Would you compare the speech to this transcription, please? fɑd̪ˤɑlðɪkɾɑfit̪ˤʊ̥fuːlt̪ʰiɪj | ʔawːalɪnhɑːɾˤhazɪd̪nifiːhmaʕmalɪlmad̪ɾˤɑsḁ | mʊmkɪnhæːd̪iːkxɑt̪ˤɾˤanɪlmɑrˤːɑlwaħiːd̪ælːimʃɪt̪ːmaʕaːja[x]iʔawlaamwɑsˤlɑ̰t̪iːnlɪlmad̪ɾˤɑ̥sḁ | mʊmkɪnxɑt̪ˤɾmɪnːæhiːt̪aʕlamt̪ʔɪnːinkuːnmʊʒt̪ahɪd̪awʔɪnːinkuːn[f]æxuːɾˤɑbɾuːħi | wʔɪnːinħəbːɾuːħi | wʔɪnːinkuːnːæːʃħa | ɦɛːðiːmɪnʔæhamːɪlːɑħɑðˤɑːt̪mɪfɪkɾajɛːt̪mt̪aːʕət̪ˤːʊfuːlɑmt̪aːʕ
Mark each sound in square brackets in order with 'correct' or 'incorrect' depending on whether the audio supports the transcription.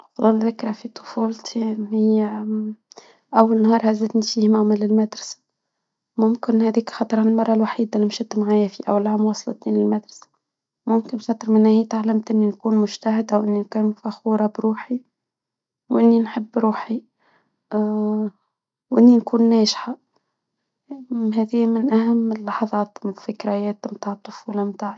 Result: incorrect: f, correct

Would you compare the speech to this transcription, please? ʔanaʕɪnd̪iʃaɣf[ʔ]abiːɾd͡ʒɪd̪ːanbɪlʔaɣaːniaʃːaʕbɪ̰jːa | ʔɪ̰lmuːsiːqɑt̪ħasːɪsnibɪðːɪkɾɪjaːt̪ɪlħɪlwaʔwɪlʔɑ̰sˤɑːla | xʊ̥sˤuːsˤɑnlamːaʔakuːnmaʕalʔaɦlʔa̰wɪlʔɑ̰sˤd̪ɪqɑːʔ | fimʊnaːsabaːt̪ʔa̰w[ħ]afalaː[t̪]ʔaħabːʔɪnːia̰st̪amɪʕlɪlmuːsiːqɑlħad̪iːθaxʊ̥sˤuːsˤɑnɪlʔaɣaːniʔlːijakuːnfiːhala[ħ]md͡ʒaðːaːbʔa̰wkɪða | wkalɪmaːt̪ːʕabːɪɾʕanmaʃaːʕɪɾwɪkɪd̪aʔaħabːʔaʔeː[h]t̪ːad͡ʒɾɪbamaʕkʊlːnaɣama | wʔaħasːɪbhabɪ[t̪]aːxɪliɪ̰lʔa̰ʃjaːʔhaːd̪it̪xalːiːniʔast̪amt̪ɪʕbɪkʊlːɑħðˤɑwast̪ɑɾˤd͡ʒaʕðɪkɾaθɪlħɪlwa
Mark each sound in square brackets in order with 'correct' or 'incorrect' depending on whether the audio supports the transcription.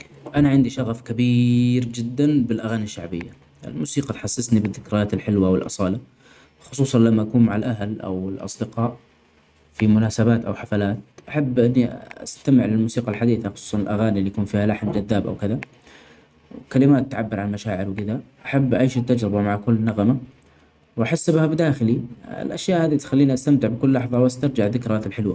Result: incorrect: k, correct, correct, correct, incorrect: ʃ, incorrect: d̪

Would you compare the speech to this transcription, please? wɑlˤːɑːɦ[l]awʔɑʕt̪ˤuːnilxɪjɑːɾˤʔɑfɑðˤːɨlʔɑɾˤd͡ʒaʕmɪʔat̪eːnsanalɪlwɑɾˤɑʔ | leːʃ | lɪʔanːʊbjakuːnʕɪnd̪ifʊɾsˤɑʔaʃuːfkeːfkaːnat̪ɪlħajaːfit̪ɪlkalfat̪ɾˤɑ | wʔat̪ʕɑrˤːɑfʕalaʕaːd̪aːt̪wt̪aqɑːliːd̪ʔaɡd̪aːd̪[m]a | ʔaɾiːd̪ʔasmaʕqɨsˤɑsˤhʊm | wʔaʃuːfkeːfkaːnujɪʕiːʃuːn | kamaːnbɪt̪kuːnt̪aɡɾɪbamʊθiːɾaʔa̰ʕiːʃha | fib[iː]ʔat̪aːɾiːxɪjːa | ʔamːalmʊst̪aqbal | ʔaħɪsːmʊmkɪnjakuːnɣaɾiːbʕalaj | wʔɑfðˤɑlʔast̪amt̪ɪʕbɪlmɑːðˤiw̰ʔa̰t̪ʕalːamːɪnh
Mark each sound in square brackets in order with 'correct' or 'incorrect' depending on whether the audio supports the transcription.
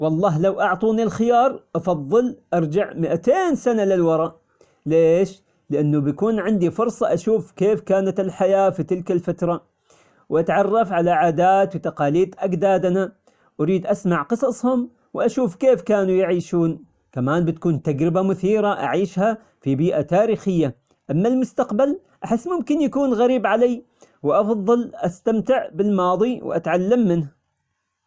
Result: correct, incorrect: n, correct

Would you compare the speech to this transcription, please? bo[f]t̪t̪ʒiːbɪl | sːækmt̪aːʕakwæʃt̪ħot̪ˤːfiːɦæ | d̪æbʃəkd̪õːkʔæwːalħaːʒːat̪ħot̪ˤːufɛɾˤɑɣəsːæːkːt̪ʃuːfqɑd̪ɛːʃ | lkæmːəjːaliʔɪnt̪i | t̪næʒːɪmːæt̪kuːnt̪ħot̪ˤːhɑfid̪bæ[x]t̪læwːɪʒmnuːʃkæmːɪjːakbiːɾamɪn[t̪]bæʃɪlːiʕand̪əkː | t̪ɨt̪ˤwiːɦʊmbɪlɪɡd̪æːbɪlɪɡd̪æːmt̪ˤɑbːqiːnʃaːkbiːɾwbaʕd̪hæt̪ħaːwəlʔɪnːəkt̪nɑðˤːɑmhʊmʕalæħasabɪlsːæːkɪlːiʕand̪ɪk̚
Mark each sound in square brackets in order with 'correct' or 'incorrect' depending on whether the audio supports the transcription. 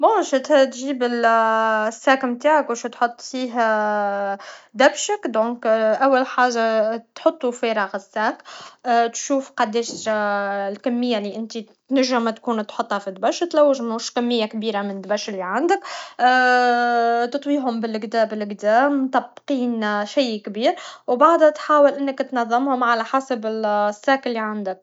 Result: incorrect: ʃ, incorrect: ʃ, incorrect: d̪

